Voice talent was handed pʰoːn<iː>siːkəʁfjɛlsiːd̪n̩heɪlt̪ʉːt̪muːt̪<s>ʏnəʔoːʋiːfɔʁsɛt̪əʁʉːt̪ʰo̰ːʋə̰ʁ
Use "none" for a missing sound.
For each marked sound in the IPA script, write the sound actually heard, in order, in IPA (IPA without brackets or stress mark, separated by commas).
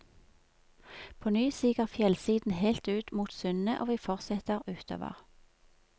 yː, s